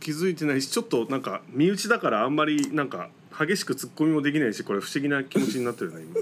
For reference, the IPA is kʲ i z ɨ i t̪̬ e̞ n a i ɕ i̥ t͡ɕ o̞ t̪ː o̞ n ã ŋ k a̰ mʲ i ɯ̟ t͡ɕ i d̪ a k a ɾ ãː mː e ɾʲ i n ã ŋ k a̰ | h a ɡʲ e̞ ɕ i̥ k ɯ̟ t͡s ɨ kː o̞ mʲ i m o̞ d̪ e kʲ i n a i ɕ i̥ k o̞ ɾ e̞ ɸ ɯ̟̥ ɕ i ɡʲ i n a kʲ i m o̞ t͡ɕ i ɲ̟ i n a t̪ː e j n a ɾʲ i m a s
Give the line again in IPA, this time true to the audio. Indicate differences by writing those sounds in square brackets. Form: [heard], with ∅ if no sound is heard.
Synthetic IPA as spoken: kʲ i z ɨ i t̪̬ e̞ n a i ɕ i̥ t͡ɕ o̞ t̪ː o̞ n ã ŋ k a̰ mʲ i ɯ̟ t͡ɕ i d̪ a k a ɾ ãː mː [a] ɾʲ i n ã ŋ k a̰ | h a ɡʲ e̞ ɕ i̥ k ɯ̟ t͡s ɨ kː o̞ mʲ i m o̞ d̪ e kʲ i n a i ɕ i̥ k o̞ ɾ e̞ ɸ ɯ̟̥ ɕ i ɡʲ i n a kʲ i m o̞ t͡ɕ i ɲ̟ i n a t̪ː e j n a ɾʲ i m a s